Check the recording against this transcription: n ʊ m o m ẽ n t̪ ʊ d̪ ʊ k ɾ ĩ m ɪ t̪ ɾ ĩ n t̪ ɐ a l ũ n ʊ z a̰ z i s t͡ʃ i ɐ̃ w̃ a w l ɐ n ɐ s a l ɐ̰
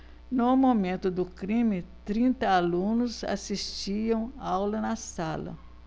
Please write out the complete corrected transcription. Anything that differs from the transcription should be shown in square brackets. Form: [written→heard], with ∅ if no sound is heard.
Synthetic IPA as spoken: n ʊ m o m ẽ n t̪ ʊ d̪ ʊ k ɾ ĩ m ɪ t̪ ɾ ĩ n t̪ ɐ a l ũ n ʊ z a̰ [z→s] i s t͡ʃ i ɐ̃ w̃ a w l ɐ n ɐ s a l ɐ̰